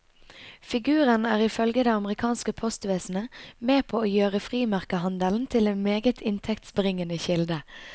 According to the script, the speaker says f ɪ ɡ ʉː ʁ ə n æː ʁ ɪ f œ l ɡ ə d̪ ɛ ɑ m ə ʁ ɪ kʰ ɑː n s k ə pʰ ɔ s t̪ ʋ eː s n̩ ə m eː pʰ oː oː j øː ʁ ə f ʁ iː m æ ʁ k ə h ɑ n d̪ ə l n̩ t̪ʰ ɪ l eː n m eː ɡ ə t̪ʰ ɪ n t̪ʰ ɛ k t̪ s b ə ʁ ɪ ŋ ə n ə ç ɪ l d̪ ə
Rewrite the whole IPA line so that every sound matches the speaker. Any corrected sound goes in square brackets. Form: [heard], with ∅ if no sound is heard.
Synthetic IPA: f ɪ ɡ ʉː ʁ ə n æː ʁ ɪ f œ l ɡ ə d̪ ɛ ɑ m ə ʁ ɪ kʰ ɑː n s k ə pʰ ɔ s t̪ ʋ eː s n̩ ə m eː pʰ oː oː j øː ʁ ə f ʁ iː m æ ʁ k ə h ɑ n d̪ ə l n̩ t̪ʰ ɪ l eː n m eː ɡ ə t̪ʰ ɪ n t̪ʰ ɛ k t̪ s b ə ʁ ɪ ŋ ə n ə ç ɪ l d̪ ə